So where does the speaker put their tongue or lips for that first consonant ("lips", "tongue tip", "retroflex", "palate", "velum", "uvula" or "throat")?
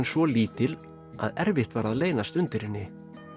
tongue tip